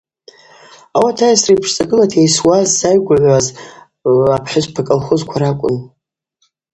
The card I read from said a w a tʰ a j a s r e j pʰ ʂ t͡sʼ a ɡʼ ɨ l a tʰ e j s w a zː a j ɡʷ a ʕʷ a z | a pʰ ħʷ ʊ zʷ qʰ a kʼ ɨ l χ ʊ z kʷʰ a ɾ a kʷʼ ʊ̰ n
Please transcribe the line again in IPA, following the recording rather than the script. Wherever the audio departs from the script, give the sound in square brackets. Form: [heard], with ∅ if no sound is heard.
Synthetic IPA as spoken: a w a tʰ a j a s r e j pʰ ʂ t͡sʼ a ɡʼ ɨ l a tʰ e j s w a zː a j ɡʷ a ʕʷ a z | a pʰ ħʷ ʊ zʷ [pʰ] a kʼ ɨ l χ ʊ z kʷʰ a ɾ a kʷʼ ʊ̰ n